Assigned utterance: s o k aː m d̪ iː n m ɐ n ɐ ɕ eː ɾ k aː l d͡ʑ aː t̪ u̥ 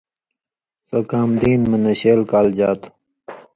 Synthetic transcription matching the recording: s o k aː m d̪ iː n m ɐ n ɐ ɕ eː l k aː l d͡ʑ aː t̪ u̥